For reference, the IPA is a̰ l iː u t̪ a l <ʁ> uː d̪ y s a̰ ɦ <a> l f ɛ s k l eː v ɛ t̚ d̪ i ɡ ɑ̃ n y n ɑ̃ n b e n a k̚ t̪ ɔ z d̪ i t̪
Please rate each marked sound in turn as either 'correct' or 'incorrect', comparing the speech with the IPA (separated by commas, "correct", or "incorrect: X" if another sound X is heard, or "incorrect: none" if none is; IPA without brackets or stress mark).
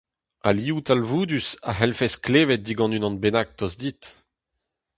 incorrect: v, incorrect: ɛ